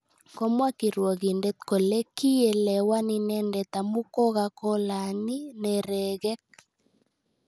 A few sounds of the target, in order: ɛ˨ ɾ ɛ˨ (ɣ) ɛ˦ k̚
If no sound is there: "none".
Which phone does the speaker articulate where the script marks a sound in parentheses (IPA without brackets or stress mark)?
ɣ